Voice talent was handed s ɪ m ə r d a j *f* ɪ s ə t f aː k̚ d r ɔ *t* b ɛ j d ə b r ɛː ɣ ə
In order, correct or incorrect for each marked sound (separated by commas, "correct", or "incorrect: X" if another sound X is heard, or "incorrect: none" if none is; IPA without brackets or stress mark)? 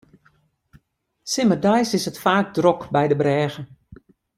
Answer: incorrect: s, incorrect: k